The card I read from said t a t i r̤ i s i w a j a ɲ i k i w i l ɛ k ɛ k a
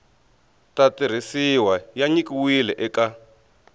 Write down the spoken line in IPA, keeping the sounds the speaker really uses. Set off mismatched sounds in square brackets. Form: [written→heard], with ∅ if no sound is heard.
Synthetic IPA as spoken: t a t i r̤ i s i w a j a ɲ i k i w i l ɛ [k→ʔ] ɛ k a